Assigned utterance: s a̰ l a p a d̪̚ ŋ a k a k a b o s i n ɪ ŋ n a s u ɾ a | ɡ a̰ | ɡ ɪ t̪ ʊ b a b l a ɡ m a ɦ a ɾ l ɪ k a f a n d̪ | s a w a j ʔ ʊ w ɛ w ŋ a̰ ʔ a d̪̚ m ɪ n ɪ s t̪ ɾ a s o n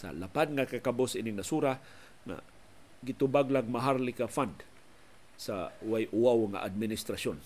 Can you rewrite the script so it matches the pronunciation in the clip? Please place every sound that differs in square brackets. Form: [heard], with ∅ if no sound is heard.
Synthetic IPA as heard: s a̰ l a p a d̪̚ ŋ a k a k a b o s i n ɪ ŋ n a s u ɾ a | [ŋ] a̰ | ɡ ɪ t̪ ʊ b a [ɡ] l a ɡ m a ɦ a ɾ l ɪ k a f a n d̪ | s a w a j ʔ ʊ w [a] w ŋ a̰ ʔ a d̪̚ m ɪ n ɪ s t̪ ɾ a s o n